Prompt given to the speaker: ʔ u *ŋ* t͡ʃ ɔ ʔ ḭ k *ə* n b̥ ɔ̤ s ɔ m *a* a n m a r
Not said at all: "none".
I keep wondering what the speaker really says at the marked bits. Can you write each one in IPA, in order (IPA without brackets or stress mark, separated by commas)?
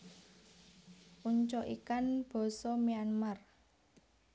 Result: ɲ, a, i